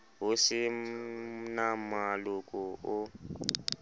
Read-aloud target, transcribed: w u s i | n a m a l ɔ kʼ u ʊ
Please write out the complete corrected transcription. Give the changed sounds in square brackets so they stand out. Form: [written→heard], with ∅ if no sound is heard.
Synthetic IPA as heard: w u s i | n a m a l [ɔ→u] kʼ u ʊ